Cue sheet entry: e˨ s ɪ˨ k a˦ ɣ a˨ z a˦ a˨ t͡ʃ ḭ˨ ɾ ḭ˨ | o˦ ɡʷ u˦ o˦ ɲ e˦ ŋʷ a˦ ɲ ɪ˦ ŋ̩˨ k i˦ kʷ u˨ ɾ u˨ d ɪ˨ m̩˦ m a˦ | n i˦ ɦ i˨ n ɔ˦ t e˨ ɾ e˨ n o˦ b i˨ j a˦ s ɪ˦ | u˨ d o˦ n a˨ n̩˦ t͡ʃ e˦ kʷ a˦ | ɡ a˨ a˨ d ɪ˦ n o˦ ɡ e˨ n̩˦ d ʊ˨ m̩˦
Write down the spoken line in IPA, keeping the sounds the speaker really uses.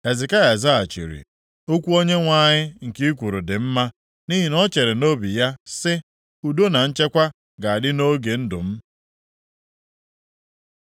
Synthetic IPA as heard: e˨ z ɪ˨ k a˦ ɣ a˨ z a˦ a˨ t͡ʃ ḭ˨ ɾ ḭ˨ | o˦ kʷ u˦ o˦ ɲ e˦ ŋʷ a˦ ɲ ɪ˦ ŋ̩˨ k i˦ kʷ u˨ ɾ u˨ d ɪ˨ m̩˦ m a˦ | n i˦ ɦ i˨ n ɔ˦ t͡ʃ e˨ ɾ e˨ n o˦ b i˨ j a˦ s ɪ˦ | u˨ d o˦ n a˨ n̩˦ t͡ʃ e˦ kʷ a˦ | ɡ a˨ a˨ d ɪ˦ n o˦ ɡ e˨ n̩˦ d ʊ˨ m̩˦